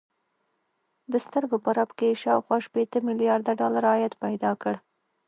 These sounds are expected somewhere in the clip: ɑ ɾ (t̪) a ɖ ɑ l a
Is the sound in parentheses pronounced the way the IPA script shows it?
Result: no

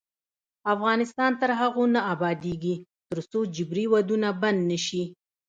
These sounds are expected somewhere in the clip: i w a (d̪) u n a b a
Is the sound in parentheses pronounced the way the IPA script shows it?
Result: yes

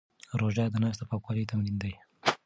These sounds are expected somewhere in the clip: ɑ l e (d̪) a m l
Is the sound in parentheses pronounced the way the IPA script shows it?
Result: no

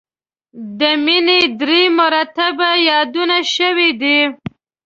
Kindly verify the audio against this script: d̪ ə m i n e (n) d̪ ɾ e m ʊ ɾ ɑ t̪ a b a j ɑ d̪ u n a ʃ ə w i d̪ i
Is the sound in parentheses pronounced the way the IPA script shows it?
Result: no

